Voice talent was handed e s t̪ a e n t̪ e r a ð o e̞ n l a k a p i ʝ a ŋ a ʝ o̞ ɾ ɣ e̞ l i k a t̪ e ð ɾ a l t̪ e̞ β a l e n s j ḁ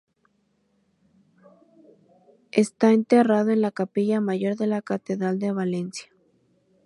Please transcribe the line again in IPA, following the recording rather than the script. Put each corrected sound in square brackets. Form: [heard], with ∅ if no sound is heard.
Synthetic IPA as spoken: e s t̪ a e n t̪ e r a ð o e̞ n l a k a p i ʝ a [m] a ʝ o̞ ɾ [ð] e̞ l [a] k a t̪ e ð ɾ a l [d̪] e̞ β a l e n s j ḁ

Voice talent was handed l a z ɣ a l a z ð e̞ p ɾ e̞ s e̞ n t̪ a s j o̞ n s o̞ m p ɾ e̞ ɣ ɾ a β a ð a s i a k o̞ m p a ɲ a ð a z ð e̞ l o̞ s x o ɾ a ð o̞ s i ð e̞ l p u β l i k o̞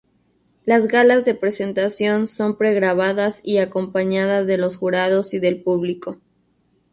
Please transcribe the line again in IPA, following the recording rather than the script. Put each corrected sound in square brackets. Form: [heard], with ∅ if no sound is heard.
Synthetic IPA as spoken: l a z ɣ a l a z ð e̞ p ɾ e̞ s e̞ n t̪ a s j o̞ n s o̞ m p ɾ e̞ ɣ ɾ a β a ð a s i a k o̞ m p a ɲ a ð a z ð e̞ l o̞ s x [u] ɾ a ð o̞ s i ð e̞ l p u β l i k o̞

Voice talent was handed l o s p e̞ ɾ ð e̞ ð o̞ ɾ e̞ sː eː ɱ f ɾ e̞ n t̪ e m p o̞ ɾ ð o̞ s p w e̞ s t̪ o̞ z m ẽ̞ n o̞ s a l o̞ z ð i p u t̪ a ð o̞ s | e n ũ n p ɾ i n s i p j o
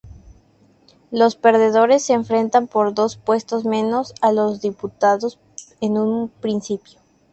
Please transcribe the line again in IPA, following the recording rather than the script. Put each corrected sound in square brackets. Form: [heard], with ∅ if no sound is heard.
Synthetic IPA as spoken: l o s p e̞ ɾ ð e̞ ð o̞ ɾ e̞ sː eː ɱ f ɾ e̞ n t̪ [a] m p o̞ ɾ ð o̞ s p w e̞ s t̪ o̞ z m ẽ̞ n o̞ s a l o̞ z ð i p u t̪ a ð o̞ s | e n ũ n p ɾ i n s i p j o

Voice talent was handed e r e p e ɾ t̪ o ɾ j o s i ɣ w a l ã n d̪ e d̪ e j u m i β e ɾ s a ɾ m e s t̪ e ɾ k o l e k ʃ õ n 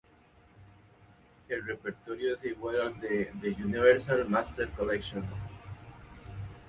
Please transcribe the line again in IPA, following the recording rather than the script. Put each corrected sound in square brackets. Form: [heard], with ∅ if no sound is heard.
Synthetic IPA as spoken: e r e p e ɾ t̪ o ɾ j o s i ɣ w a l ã n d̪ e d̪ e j u [n] i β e ɾ s a [l] m [a] s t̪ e ɾ k o l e k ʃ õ n

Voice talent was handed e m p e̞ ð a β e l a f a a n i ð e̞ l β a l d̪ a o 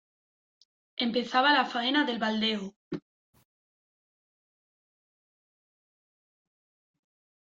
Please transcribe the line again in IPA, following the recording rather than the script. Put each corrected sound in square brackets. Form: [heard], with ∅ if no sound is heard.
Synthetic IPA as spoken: e m p e̞ [θ] a β [a] l a f a [e] n [a] ð e̞ l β a l d̪ [e] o

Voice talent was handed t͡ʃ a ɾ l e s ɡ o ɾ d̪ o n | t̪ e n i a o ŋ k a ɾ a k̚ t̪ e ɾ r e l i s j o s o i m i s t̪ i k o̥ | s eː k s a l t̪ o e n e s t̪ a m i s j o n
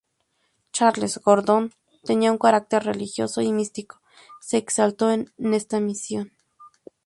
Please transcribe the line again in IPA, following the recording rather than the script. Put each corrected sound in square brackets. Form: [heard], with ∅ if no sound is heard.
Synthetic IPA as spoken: t͡ʃ a ɾ l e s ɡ o ɾ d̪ o n | t̪ e n i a [u] ŋ k a ɾ a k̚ t̪ e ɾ r e l i [x] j o s o i m i s t̪ i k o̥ | s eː k s a l t̪ o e n e s t̪ a m i s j o n

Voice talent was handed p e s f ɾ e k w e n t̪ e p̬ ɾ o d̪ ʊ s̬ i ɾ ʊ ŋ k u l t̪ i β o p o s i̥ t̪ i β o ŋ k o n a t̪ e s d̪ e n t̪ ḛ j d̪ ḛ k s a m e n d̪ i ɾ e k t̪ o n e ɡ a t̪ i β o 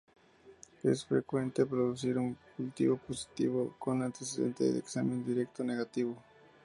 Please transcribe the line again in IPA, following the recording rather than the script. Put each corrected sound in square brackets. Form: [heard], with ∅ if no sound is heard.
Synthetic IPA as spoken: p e s f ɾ e k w e n t̪ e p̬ ɾ o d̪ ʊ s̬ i ɾ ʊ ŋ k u l t̪ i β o p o s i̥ t̪ i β o [∅] k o n a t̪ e s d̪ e n t̪ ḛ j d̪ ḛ k s a m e n d̪ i ɾ e k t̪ o n e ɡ a t̪ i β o

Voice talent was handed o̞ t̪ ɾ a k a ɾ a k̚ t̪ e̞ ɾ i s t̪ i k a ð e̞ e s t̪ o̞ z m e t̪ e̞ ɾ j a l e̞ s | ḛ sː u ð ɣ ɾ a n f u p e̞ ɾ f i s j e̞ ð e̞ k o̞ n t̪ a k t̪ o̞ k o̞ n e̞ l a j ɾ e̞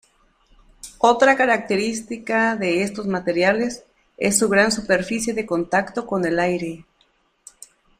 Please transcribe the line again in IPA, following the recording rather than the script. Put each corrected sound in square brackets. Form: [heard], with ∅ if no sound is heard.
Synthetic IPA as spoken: o̞ t̪ ɾ a k a ɾ a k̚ t̪ e̞ ɾ i s t̪ i k a ð e̞ e s t̪ o̞ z m [a] t̪ e̞ ɾ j a l e̞ s | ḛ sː u [∅] ɣ ɾ a n [s] u p e̞ ɾ f i s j e̞ ð e̞ k o̞ n t̪ a k t̪ o̞ k o̞ n e̞ l a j ɾ e̞

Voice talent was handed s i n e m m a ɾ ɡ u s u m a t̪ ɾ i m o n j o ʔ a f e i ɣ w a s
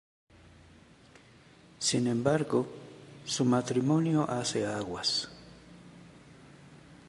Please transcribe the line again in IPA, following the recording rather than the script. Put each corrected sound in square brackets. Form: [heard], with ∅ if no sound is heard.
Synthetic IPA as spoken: s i n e m [b] a ɾ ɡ [o] s u m a t̪ ɾ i m o n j o ʔ a [s] e [a] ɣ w a s

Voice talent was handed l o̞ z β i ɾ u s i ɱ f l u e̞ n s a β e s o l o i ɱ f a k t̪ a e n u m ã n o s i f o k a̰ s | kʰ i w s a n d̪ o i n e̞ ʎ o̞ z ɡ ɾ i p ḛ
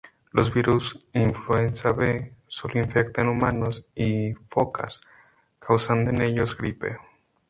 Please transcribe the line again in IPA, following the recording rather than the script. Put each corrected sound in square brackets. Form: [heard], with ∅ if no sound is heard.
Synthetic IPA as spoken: l o̞ z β i ɾ u s i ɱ f l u e̞ n s a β e s o l o i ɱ f [e] k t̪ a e n u m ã n o s i f o k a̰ s | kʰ [a] w s a n d̪ o [e] n e̞ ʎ o̞ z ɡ ɾ i p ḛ

